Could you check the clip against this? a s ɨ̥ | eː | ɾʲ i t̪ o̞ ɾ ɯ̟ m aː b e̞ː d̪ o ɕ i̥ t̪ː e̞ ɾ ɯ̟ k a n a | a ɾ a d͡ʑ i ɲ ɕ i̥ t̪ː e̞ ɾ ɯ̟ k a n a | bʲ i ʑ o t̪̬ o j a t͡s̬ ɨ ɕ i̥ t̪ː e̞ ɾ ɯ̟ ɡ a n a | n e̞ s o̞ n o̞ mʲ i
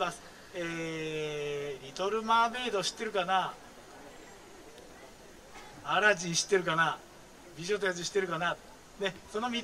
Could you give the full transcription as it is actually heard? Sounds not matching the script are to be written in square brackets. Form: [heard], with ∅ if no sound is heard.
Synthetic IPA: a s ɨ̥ | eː | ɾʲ i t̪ o̞ ɾ ɯ̟ m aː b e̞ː d̪ o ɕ i̥ t̪ː e̞ ɾ ɯ̟ k a n a | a ɾ a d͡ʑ i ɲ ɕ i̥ t̪ː e̞ ɾ ɯ̟ k a n a | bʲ i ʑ o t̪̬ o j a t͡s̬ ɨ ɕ i̥ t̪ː e̞ ɾ ɯ̟ [k] a n a | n e̞ s o̞ n o̞ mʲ i

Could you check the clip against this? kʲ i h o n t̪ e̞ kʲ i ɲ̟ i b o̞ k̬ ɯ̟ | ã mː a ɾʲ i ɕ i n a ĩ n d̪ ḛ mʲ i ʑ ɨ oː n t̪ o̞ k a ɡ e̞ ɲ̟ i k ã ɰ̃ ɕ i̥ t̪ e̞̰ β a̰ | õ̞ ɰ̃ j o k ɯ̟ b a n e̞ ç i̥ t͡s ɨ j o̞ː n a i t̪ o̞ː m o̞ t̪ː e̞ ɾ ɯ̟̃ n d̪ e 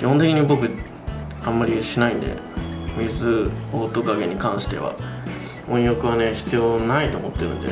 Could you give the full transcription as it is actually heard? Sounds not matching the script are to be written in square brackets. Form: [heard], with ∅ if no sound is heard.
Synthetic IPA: kʲ i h o n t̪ e̞ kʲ i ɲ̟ i b o̞ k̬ ɯ̟ | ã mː a ɾʲ i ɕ i n a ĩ n d̪ ḛ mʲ i [z] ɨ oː [∅] t̪ o̞ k a ɡ e̞ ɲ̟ i k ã ɰ̃ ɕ i̥ t̪ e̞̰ β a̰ | õ̞ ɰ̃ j o k ɯ̟ [β] a n e̞ ç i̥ t͡s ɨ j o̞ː n a i t̪ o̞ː m o̞ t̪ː e̞ ɾ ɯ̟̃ n d̪ e

